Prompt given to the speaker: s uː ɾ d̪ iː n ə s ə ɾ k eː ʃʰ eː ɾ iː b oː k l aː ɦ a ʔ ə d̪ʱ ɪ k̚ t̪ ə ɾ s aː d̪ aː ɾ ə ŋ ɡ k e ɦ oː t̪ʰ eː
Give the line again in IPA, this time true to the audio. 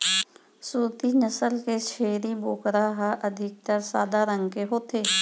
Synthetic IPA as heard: s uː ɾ t̪ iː n ə s ə l k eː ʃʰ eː ɾ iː b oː k ɾ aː ɦ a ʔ ə d̪ʱ ɪ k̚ t̪ ə ɾ s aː d̪ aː ɾ ə ŋ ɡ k e ɦ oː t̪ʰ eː